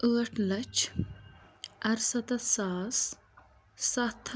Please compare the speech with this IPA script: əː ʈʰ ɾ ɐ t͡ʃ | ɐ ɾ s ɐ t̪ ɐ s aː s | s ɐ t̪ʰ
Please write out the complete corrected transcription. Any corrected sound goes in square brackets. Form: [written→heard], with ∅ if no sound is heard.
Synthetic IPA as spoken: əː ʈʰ [ɾ→l] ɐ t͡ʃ | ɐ ɾ s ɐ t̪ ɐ s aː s | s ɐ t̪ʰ